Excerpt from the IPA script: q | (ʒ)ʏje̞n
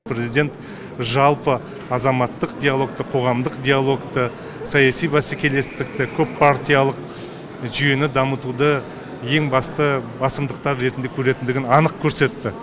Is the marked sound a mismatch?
no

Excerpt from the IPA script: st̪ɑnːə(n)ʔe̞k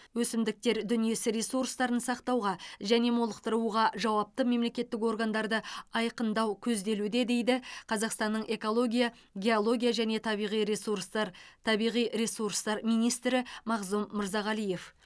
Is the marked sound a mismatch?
yes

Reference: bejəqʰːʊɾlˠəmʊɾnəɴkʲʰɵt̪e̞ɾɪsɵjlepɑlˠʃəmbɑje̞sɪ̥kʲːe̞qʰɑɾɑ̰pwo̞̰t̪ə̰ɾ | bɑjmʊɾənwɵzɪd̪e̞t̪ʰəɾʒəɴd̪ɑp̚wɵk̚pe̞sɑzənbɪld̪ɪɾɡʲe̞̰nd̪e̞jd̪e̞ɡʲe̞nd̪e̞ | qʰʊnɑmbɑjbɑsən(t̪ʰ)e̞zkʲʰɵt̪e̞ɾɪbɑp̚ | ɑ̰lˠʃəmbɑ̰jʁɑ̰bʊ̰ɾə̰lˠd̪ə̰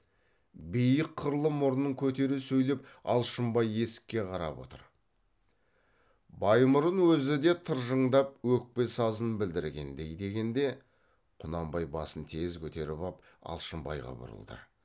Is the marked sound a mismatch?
no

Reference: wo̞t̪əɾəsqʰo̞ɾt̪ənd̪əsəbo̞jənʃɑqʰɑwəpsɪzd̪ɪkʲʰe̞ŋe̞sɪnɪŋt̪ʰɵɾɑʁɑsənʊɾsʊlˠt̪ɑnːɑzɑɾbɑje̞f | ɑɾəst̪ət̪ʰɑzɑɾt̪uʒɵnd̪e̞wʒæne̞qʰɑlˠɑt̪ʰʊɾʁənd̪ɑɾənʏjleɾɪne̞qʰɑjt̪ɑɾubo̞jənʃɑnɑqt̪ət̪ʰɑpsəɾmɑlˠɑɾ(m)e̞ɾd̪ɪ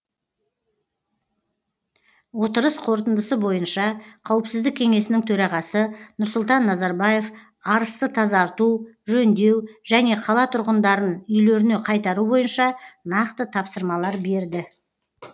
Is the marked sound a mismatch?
yes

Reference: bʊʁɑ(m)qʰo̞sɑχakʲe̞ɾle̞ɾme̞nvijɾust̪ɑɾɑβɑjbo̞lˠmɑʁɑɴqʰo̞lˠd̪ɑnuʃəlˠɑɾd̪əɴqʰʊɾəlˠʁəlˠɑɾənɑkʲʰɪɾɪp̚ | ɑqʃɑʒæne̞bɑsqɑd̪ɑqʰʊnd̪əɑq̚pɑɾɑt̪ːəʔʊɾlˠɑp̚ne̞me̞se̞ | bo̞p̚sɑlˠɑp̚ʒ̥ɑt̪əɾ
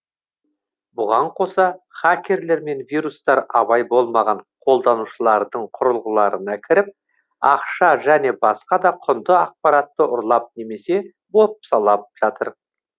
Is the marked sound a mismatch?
yes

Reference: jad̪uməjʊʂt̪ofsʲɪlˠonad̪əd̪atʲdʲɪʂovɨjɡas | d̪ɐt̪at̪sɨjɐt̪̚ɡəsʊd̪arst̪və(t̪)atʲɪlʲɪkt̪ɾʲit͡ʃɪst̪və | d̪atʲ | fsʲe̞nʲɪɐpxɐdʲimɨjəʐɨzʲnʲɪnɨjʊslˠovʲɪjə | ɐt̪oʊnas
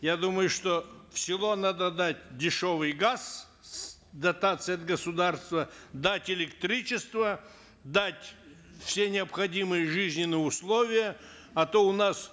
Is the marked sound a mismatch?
yes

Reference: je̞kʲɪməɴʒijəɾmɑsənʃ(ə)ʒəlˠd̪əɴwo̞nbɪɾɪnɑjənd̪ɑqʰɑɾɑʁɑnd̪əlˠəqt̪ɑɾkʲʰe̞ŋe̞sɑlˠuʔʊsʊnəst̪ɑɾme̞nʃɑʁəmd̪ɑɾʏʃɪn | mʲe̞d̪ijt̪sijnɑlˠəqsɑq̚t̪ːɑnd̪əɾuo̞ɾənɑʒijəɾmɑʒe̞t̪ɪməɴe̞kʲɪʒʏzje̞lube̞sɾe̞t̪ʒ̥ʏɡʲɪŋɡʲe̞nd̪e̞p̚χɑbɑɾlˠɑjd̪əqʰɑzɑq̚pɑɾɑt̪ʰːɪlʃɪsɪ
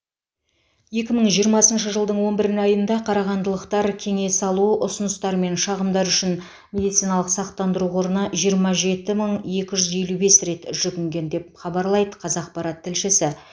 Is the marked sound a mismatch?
no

